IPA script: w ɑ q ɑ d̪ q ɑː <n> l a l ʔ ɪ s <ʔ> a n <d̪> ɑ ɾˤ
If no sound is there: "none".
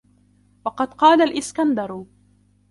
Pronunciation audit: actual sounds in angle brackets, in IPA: none, k, d̪

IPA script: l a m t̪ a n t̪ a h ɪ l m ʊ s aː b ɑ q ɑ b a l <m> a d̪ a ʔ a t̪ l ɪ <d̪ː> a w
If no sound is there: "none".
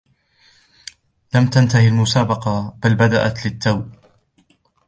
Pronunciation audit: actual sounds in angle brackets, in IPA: b, t̪ː

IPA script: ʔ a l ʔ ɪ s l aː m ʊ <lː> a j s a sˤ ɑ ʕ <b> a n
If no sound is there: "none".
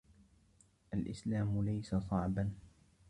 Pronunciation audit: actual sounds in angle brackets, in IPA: l, b

